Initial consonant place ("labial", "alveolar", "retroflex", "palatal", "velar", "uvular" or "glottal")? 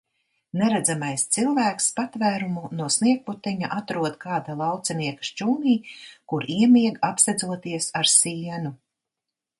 alveolar